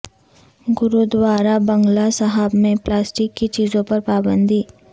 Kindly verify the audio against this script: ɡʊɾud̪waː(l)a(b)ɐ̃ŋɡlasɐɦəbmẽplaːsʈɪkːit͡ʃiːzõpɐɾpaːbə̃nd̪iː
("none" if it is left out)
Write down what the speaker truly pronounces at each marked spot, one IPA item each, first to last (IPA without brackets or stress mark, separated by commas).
ɾ, b